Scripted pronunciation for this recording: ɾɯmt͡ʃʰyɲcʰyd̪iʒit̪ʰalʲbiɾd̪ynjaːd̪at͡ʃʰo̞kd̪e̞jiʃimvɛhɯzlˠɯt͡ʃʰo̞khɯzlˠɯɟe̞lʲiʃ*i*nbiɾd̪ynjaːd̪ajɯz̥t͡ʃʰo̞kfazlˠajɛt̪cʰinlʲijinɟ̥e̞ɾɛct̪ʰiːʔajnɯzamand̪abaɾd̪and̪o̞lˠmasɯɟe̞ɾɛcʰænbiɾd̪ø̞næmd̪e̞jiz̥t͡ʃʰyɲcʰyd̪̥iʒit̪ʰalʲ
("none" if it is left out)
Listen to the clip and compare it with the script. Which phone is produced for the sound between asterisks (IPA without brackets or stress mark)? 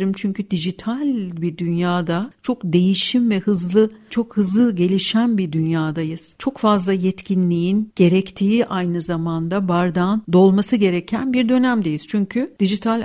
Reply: æ